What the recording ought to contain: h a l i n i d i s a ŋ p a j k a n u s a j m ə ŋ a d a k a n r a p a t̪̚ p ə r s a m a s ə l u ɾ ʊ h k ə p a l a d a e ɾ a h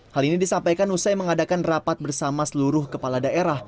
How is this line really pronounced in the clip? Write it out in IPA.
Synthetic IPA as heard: h a l i n i d i s a m p a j k a n u s a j m ə ŋ a d a k a n r a p a t̪̚ b ə r s a m a s ə l u ɾ ʊ h k ə p a l a d a e ɾ a h